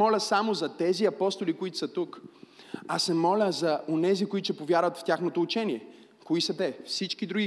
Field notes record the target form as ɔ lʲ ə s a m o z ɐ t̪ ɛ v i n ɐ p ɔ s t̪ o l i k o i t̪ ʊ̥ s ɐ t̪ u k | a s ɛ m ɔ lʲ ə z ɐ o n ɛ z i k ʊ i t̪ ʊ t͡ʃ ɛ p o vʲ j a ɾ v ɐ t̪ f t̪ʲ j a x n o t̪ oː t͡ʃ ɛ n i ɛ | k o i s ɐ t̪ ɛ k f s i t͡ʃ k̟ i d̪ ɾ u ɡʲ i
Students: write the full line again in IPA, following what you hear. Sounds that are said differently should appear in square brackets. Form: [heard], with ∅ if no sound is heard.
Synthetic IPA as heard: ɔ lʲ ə s a m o z ɐ t̪ ɛ [z] i [∅] ɐ p ɔ s t̪ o l i k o i t̪ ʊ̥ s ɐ t̪ u k | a s ɛ m ɔ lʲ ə z ɐ o n ɛ z i k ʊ i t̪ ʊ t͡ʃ ɛ p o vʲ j a ɾ v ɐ t̪ f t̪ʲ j a x n o t̪ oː t͡ʃ ɛ n i ɛ | k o i s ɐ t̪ ɛ [∅] f s i t͡ʃ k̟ i d̪ ɾ u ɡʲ i